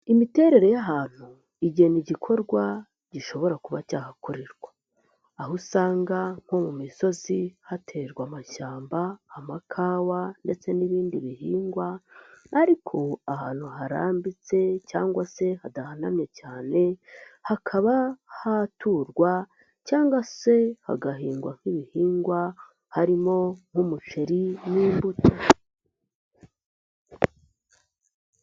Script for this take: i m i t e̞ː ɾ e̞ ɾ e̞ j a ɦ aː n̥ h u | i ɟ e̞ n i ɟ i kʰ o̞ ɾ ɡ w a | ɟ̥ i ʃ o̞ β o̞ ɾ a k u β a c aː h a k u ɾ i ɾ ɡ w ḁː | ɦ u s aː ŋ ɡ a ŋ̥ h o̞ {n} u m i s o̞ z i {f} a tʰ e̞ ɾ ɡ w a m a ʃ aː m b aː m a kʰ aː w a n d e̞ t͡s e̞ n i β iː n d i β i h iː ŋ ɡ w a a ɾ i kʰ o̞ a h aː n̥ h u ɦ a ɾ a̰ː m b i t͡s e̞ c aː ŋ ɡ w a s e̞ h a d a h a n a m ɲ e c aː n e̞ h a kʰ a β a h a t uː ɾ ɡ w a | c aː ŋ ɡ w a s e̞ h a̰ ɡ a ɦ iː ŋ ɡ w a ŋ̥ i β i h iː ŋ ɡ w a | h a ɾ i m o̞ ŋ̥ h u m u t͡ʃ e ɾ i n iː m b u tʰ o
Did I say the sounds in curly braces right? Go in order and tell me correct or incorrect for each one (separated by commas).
incorrect, incorrect